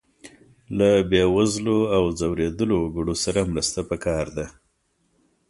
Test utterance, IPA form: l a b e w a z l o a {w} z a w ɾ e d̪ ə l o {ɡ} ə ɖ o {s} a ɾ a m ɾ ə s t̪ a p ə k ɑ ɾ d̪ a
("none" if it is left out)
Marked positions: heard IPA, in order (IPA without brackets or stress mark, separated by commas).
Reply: w, ɡ, s